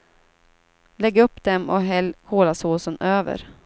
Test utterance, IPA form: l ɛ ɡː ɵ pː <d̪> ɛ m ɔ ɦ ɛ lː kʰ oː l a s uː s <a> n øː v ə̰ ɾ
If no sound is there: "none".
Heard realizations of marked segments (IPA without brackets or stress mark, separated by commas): d̪, ə